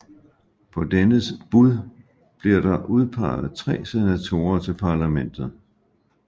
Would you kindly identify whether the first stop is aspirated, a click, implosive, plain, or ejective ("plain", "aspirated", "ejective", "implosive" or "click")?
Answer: aspirated